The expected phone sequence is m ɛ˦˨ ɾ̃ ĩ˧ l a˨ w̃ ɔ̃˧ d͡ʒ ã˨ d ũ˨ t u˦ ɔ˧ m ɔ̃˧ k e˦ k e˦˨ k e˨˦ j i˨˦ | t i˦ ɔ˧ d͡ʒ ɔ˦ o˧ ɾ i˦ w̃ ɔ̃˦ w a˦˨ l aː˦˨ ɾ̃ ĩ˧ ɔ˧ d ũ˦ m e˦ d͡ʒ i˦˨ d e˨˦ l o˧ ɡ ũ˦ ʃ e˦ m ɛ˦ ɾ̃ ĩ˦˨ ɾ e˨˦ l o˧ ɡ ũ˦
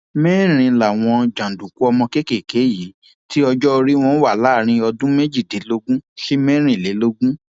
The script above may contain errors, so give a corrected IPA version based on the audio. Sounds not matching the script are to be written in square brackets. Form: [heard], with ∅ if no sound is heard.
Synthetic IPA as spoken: m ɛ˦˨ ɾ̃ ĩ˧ l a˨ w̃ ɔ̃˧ d͡ʒ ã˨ d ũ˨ [k] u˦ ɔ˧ m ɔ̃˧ k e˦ k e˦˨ k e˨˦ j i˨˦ | t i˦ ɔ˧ d͡ʒ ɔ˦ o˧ ɾ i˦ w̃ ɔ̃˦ w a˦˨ l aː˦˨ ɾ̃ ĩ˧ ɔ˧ d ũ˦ m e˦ d͡ʒ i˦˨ d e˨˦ l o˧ ɡ ũ˦ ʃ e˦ m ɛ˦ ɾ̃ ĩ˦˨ [l] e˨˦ l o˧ ɡ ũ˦